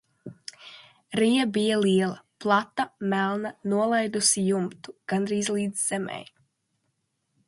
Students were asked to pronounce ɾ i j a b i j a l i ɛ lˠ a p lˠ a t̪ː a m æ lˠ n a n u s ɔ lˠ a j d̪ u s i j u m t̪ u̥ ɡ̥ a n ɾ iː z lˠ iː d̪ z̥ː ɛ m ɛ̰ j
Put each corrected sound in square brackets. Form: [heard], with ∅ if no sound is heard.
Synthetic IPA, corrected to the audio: ɾ i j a b i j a l i ɛ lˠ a p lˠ a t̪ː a m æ lˠ n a n u [∅] ɔ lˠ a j d̪ u s i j u m t̪ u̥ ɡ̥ a n ɾ iː z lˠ iː d̪ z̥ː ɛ m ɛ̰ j